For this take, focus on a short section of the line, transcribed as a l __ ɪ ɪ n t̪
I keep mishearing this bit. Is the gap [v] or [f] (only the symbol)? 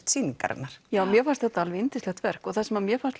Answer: v